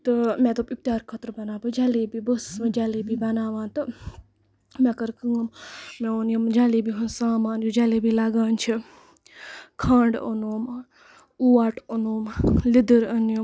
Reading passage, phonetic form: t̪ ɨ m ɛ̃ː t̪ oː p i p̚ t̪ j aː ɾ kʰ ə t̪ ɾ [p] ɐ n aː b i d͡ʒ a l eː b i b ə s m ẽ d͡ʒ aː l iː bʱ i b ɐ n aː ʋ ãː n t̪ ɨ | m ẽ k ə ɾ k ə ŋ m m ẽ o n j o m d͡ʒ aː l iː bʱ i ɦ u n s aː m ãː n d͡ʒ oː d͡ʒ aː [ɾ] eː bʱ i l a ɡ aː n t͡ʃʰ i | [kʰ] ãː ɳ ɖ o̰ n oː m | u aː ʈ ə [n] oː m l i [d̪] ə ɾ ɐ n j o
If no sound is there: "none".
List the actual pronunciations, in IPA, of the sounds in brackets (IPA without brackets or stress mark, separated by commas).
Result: b, l, kʰ, n, d̪